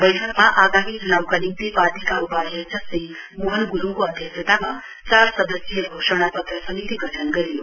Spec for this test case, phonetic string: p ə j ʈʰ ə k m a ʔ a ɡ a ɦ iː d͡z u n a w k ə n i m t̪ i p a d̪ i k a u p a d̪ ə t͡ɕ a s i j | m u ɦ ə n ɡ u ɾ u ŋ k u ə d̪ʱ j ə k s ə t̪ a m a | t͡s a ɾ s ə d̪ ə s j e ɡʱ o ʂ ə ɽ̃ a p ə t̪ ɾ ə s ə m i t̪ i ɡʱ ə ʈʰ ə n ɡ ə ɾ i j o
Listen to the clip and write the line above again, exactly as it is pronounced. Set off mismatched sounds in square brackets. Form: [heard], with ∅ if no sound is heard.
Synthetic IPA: [b] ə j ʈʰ ə k m a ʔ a ɡ a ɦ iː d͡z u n a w k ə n i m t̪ i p a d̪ i k a u p a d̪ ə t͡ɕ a s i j | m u ɦ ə n ɡ u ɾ u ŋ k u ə d̪ʱ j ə k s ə t̪ a m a | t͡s a ɾ s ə d̪ ə s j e ɡʱ o ʂ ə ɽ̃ a p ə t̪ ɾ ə s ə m i t̪ i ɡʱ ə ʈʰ ə n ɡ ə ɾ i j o